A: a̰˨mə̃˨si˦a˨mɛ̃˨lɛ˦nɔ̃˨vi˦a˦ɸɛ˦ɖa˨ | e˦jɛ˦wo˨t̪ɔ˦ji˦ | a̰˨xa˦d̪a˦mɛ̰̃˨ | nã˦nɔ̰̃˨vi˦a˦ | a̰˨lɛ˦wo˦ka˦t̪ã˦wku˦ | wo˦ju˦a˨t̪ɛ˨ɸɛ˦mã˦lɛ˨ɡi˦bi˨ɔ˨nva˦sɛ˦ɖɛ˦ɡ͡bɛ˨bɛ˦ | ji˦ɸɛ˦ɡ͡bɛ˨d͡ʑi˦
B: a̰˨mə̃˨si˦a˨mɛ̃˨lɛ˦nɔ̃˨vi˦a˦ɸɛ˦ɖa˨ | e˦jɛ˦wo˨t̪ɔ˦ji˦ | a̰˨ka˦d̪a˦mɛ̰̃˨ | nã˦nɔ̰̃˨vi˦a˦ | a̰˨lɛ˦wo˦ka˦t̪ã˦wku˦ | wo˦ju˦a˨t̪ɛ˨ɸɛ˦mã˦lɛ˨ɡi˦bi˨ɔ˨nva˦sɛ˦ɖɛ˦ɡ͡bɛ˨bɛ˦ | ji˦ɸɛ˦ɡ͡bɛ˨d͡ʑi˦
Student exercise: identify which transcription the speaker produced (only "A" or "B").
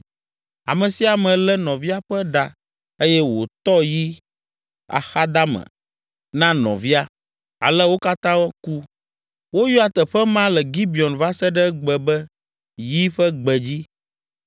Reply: A